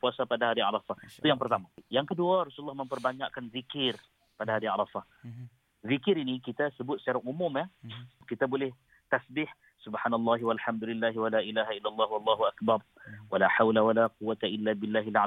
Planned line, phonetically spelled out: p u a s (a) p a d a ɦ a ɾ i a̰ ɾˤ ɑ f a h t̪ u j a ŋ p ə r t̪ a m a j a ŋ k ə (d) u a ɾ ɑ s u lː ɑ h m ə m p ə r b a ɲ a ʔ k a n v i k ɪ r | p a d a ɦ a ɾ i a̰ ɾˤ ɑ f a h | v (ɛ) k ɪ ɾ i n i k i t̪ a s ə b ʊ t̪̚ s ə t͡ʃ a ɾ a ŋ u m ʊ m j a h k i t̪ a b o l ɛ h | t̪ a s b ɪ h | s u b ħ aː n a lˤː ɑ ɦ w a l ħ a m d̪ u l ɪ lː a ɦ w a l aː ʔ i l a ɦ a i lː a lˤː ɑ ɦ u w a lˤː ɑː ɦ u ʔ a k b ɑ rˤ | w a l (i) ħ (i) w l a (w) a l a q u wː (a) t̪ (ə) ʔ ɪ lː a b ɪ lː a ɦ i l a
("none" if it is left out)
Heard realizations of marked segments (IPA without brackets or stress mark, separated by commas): a, d, i, a, a, w, a, a